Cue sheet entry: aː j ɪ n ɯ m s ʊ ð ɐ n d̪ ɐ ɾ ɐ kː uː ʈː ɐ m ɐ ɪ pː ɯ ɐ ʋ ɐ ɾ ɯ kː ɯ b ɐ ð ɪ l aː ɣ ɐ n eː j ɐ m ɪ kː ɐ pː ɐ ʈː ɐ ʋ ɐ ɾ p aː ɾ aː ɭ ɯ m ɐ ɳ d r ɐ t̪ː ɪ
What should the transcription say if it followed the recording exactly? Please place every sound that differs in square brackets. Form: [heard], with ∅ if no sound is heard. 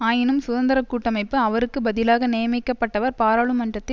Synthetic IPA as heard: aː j ɪ n ɯ m s ʊ ð ɐ n d̪ ɐ ɾ ɐ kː uː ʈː ɐ m ɐ ɪ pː ɯ ɐ ʋ ɐ ɾ ɯ kː ɯ b ɐ ð ɪ l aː ɣ ɐ n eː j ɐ m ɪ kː ɐ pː ɐ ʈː ɐ ʋ ɐ ɾ p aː ɾ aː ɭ ɯ m ɐ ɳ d r ɐ t̪ː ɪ